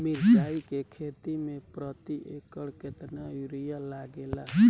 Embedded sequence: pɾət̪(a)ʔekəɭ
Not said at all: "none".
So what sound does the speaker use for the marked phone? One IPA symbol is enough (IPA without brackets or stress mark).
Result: i